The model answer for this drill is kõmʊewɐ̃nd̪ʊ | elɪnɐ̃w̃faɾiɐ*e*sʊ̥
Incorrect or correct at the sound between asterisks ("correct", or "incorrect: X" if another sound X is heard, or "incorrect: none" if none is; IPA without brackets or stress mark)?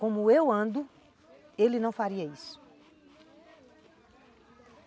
incorrect: i